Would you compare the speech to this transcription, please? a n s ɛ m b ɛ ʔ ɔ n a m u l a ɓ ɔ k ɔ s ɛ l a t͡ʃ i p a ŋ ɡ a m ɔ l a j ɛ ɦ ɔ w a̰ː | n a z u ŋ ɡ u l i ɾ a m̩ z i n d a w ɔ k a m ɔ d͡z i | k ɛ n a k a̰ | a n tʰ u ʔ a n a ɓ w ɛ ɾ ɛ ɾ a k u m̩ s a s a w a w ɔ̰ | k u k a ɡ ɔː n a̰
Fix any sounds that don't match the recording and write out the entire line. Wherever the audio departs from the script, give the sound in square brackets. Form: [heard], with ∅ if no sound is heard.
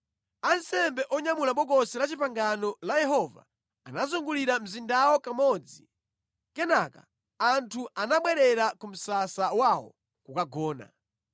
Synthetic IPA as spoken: a n s ɛ m b ɛ ʔ ɔ [ɲ] a m u l a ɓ ɔ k ɔ s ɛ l a t͡ʃ i p a ŋ ɡ a [n] ɔ l a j ɛ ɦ ɔ [v] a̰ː | n a z u ŋ ɡ u l i ɾ a m̩ z i n d a w ɔ k a m ɔ d͡z i | k ɛ n a k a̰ | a n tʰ u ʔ a n a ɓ w ɛ ɾ ɛ ɾ a k u m̩ s a s a w a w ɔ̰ | k u k a ɡ ɔː n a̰

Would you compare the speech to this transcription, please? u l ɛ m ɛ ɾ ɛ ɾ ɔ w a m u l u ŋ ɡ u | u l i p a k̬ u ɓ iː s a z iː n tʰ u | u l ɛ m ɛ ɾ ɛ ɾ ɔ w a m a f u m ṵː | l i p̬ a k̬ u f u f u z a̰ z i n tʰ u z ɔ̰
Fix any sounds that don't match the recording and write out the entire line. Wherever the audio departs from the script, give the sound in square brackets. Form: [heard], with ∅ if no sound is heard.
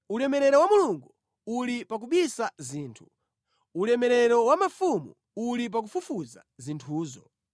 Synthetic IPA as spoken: u l ɛ m ɛ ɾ ɛ ɾ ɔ w a m u l u ŋ ɡ u | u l i p a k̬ u ɓ [i] s a z iː n tʰ u | u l ɛ m ɛ ɾ ɛ ɾ ɔ w a m a f u m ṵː | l i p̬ a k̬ u f u f u z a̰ z i n tʰ [uː] z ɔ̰

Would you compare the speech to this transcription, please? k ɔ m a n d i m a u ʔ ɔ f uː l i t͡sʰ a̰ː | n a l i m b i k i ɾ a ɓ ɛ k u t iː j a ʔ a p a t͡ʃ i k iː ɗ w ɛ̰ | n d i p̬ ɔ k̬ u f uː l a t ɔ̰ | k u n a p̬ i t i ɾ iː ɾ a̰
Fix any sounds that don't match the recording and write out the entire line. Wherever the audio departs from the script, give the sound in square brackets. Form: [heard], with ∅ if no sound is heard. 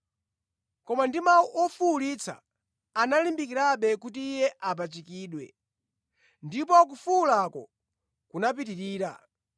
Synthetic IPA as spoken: k ɔ m a n d i m a u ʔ ɔ f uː l i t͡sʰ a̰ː | n a l i m b i k i ɾ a ɓ ɛ k u t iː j [ɛ] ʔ a p a t͡ʃ i k iː ɗ w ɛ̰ | n d i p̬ ɔ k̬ u f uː l a [k] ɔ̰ | k u n a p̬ i t i ɾ iː ɾ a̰

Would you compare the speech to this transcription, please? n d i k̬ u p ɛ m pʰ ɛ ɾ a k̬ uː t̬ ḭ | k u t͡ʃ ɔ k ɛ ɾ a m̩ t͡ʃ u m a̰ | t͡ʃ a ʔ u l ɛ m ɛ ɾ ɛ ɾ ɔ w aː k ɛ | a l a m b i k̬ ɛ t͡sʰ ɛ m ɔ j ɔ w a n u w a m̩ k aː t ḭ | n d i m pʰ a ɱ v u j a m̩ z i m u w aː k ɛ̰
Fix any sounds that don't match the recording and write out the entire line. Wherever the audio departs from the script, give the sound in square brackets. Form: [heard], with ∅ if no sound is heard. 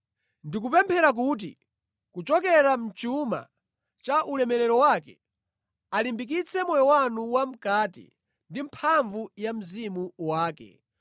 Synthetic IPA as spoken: n d i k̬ u p ɛ m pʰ ɛ ɾ a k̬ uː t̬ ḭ | k u t͡ʃ ɔ k ɛ ɾ a m̩ t͡ʃ u m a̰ | t͡ʃ a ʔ u l ɛ m ɛ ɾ ɛ ɾ ɔ w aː k ɛ | a l [i] m b i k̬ [i] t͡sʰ ɛ m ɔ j ɔ w a n u w a m̩ k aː t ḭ | n d i m pʰ a ɱ v u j a m̩ z i m u w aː k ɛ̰

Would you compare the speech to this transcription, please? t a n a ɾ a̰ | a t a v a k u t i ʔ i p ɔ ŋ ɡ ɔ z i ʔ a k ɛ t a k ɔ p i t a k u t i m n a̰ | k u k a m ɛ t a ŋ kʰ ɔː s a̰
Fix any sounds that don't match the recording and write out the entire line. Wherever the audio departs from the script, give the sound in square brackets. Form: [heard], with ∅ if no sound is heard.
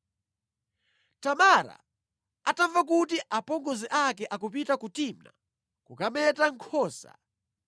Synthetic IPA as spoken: t a [m] a ɾ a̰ | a t a v a k u t i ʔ [a] p ɔ ŋ ɡ ɔ z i ʔ a k ɛ [ʔ] a k [u] p i t a k u t i m n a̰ | k u k a m ɛ t a ŋ kʰ ɔː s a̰

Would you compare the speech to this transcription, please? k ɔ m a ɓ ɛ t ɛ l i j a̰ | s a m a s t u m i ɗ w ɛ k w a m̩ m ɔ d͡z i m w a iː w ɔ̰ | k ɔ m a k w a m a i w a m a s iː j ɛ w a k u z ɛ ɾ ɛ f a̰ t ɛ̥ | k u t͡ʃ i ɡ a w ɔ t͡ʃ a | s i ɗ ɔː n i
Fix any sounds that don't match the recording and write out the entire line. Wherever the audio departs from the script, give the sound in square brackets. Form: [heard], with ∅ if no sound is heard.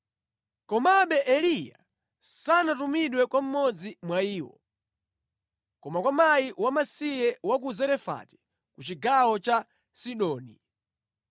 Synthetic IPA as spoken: k ɔ m a ɓ ɛ [ʔ] ɛ l i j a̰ | s a [n] a [∅] t u m i ɗ w ɛ k w a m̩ m ɔ d͡z i m w a iː w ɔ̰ | k ɔ m a k w a m a i w a m a s [i] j ɛ w a k u z ɛ ɾ ɛ f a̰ t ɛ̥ | k u t͡ʃ i ɡ a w ɔ t͡ʃ a | s i ɗ ɔː n i

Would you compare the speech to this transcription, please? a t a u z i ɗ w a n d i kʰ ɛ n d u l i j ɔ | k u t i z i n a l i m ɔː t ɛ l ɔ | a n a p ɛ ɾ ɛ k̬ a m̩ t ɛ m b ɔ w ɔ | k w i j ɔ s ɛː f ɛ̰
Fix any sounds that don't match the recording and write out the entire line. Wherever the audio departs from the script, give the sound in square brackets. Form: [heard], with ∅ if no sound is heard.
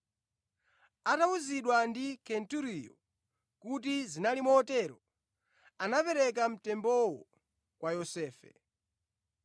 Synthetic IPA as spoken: a t a u z i ɗ w a n d i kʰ ɛ n [t] u [ɾ] i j ɔ | k u t i z i n a l i m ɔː t ɛ [ɾ] ɔ | a n a p ɛ ɾ ɛ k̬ a m̩ t ɛ m b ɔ w ɔ | k w [a] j ɔ s ɛː f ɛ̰

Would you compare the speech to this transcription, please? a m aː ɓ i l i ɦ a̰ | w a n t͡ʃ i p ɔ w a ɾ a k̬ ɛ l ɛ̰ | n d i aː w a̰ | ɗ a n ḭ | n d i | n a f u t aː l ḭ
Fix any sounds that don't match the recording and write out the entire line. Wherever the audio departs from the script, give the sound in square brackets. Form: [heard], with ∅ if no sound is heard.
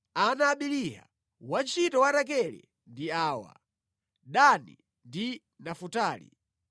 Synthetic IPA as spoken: a [n] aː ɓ i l i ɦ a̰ | w a n t͡ʃ i [t] ɔ w a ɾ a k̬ ɛ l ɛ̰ | n d i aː w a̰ | ɗ a n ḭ | n d i | n a f u t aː l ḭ

